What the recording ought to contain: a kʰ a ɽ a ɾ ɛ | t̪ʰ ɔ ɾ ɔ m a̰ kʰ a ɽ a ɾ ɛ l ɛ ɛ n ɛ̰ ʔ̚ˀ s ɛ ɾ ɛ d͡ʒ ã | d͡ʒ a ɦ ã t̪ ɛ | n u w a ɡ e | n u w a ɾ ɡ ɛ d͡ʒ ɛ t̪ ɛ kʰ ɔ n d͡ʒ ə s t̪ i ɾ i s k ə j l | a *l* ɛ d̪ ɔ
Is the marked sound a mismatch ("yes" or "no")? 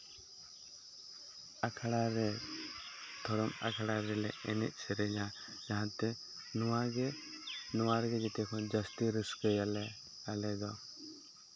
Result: no